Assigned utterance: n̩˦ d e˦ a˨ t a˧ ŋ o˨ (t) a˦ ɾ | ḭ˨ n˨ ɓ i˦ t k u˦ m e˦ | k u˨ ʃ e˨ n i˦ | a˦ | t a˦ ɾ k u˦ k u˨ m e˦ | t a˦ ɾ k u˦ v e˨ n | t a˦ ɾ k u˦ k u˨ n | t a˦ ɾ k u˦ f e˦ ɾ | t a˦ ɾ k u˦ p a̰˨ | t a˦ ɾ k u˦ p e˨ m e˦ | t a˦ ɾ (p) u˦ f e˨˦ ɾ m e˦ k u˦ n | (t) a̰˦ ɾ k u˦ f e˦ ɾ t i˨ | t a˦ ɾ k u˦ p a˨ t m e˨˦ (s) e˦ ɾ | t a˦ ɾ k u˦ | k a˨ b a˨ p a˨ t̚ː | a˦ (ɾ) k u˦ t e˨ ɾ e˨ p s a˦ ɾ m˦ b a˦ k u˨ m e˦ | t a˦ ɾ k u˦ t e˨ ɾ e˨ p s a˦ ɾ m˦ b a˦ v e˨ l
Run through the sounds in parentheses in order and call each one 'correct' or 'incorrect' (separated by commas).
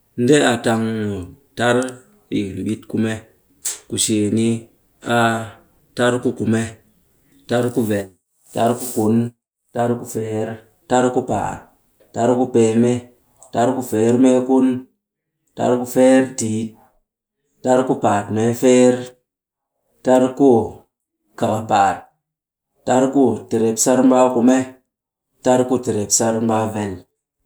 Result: correct, incorrect, correct, incorrect, correct